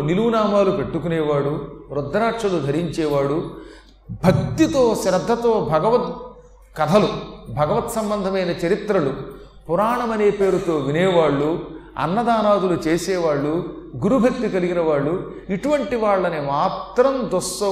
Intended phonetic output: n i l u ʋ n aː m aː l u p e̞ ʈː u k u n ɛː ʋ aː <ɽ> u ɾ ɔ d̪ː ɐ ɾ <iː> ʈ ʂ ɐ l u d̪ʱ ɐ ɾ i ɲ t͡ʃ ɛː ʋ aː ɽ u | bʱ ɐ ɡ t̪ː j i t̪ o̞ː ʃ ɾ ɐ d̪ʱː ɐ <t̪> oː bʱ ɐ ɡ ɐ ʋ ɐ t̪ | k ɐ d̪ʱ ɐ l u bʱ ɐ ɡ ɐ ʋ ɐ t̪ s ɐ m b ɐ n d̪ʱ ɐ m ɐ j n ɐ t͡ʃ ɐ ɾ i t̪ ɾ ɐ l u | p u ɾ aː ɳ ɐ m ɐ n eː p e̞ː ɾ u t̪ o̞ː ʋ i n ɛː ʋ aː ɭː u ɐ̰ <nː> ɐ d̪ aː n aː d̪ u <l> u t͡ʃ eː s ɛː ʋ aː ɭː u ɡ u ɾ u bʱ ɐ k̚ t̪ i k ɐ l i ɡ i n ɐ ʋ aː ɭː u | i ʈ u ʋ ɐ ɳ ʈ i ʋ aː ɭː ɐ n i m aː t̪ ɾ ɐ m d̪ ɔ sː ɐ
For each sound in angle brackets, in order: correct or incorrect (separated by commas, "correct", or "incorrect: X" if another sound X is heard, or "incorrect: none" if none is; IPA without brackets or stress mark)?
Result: correct, incorrect: aː, correct, correct, correct